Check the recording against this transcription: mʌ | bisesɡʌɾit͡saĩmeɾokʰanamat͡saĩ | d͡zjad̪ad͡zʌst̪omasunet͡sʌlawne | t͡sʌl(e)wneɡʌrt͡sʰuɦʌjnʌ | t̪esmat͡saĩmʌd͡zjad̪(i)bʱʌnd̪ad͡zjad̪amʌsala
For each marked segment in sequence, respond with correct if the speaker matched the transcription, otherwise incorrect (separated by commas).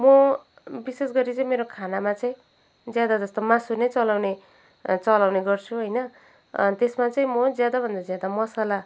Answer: incorrect, incorrect